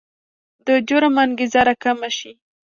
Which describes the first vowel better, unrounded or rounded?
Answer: unrounded